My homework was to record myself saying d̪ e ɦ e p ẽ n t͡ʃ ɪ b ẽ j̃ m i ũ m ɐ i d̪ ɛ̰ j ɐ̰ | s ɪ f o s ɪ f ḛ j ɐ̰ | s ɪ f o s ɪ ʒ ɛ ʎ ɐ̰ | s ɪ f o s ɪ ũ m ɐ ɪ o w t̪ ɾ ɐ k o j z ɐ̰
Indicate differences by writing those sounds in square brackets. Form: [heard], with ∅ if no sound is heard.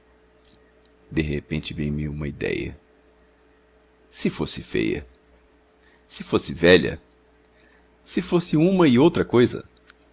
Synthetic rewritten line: d̪ e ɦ e p ẽ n t͡ʃ ɪ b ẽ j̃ m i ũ m ɐ i d̪ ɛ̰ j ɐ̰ | s ɪ f o s ɪ f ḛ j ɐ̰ | s ɪ f o s ɪ [v] ɛ ʎ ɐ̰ | s ɪ f o s ɪ ũ m ɐ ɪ o w t̪ ɾ ɐ k o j z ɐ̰